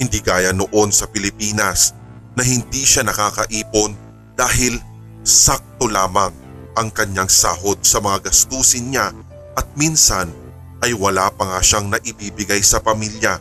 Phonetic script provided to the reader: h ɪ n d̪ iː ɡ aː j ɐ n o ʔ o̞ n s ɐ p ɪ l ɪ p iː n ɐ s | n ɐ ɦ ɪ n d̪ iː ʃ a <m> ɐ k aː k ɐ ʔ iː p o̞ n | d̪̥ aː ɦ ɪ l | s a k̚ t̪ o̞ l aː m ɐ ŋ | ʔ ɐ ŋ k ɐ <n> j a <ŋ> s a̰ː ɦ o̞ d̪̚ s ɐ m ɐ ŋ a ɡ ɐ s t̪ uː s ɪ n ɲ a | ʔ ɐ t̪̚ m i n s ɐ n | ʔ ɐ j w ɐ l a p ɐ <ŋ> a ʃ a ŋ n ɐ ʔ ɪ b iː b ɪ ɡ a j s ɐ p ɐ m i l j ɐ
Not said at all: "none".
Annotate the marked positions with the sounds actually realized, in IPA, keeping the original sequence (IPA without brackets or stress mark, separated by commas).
n, ɲ, ŋ, ŋ